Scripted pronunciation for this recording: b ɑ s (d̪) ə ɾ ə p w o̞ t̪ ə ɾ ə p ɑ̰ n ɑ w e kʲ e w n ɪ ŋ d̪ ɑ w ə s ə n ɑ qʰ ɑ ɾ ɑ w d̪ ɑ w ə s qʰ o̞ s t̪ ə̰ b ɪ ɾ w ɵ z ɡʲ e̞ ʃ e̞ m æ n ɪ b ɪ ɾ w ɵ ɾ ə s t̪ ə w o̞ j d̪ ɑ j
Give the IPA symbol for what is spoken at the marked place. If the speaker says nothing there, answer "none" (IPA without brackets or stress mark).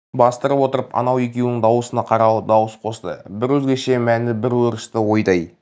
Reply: t̪